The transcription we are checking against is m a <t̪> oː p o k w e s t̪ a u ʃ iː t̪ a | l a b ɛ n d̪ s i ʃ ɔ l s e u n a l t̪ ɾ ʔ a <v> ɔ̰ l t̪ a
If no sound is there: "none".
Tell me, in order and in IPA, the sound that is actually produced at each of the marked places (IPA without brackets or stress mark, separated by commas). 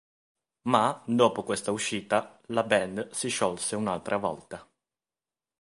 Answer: d̪, v